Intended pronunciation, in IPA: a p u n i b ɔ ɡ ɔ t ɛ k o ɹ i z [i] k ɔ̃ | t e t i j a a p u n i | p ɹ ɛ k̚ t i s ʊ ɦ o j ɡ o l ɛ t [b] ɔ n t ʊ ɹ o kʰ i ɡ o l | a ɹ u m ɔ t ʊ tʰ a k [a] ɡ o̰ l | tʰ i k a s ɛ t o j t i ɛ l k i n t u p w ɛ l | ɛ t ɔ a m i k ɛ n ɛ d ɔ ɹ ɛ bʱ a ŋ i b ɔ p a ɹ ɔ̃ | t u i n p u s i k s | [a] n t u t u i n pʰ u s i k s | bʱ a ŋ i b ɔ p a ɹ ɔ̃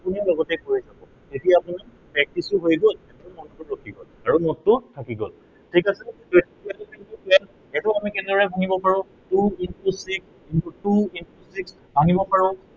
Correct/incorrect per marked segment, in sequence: incorrect, incorrect, incorrect, incorrect

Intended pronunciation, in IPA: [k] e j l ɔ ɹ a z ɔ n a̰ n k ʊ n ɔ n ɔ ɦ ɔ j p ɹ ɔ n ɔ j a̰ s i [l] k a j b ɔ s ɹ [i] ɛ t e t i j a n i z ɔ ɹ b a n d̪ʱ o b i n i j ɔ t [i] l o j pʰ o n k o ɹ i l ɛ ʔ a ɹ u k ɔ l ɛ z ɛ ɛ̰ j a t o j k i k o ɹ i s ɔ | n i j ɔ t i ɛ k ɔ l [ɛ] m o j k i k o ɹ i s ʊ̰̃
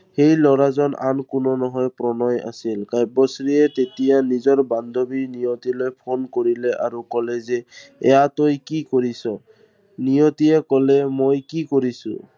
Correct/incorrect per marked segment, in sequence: incorrect, correct, correct, correct, correct

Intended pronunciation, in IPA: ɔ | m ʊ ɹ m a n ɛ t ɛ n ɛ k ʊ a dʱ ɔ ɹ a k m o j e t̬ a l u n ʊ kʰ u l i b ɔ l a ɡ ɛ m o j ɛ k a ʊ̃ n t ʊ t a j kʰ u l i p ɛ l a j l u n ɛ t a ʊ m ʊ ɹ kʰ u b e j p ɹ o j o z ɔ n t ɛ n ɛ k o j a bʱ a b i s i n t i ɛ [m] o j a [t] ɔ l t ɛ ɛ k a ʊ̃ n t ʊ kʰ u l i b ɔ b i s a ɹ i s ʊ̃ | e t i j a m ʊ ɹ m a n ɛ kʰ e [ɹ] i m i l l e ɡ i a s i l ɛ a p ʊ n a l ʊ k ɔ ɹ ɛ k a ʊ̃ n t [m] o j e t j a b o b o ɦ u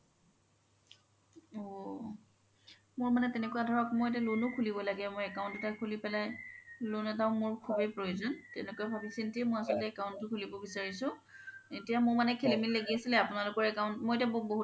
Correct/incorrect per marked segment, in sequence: correct, incorrect, incorrect, correct

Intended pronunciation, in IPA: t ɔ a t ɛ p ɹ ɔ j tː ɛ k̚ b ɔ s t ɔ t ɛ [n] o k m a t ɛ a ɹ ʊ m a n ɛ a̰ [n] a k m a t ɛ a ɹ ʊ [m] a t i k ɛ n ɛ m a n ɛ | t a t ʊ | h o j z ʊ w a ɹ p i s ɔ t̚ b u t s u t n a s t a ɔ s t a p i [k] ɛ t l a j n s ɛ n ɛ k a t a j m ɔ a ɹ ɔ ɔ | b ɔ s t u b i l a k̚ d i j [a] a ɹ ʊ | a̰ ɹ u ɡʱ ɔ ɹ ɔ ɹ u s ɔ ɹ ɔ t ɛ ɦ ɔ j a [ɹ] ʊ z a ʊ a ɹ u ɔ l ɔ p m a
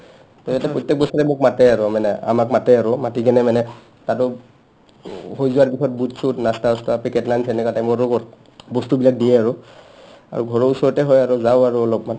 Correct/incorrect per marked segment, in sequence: incorrect, incorrect, correct, correct, incorrect, correct

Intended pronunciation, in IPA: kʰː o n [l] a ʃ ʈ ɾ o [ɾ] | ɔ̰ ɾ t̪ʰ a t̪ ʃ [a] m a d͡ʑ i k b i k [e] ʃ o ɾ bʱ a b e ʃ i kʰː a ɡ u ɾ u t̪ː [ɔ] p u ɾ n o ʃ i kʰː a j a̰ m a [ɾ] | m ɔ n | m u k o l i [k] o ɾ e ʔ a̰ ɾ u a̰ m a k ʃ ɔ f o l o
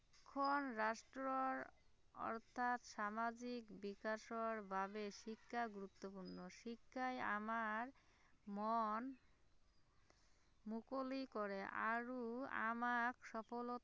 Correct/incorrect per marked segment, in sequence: incorrect, correct, correct, incorrect, incorrect, correct, correct

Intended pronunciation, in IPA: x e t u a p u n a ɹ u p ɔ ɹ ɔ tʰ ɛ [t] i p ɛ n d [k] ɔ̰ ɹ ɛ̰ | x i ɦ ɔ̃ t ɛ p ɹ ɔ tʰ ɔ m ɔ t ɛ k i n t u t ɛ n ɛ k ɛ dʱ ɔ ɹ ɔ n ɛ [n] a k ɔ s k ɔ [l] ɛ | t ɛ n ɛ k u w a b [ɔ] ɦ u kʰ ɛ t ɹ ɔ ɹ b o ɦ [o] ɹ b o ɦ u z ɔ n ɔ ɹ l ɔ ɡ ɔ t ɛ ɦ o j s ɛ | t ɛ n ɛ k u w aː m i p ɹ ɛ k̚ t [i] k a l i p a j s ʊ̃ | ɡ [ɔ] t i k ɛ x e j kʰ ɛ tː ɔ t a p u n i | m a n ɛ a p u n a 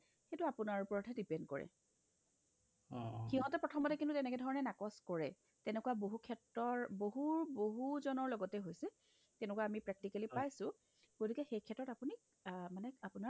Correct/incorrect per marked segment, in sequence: incorrect, correct, correct, incorrect, incorrect, incorrect, correct, incorrect

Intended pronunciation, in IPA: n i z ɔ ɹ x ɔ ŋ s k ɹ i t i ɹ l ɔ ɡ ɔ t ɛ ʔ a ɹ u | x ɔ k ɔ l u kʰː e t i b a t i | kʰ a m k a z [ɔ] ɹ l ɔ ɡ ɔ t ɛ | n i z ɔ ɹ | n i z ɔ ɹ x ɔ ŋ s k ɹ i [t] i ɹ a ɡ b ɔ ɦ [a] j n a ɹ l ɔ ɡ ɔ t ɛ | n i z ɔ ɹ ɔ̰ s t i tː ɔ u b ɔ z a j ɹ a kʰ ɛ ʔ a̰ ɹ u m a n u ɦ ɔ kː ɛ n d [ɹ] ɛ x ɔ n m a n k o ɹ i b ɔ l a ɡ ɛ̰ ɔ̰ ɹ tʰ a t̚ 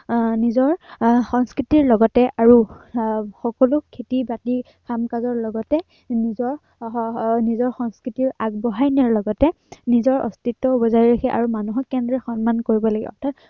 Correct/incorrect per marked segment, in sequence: correct, correct, correct, correct

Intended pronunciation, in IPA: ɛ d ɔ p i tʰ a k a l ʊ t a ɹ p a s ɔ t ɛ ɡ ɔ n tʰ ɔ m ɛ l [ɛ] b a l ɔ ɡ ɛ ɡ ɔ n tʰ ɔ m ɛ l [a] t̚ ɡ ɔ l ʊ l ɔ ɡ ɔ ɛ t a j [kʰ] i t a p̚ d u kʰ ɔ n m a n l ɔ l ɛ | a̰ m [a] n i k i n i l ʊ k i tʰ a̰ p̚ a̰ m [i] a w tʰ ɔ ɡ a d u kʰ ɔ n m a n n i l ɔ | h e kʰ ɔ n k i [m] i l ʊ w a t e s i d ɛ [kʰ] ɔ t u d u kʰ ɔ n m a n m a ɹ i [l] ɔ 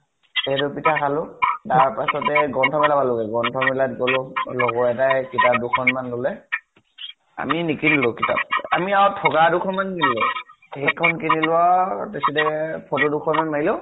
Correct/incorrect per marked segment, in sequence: incorrect, correct, incorrect, incorrect, correct, incorrect, incorrect, correct

